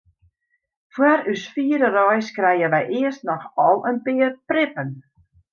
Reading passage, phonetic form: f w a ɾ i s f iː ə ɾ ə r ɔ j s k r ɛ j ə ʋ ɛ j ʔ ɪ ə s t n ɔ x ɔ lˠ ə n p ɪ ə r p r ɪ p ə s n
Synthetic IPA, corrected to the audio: f w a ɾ y s f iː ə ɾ ə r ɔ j s k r ɛ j ə ʋ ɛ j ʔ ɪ ə s t n ɔ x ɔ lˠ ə n p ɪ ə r p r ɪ p ə n